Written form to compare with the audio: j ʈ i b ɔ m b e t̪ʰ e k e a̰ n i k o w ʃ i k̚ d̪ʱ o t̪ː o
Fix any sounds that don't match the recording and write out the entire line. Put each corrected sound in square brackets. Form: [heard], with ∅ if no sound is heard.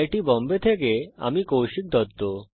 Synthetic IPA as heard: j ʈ i b ɔ m b e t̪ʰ e k e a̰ [m] i k o w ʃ i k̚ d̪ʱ [ɔ] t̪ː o